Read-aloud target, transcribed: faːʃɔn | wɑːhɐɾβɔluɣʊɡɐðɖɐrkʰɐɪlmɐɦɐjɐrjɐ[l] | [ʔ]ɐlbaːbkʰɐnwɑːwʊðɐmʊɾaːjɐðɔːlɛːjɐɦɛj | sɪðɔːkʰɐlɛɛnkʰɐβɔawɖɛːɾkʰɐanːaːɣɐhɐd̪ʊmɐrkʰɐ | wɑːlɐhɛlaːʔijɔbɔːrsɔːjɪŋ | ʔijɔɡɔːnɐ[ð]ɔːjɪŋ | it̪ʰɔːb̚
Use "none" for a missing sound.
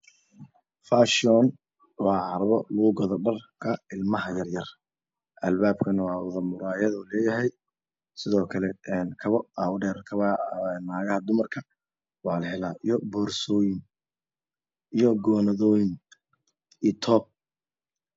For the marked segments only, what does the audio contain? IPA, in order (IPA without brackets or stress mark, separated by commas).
r, ʔ, ð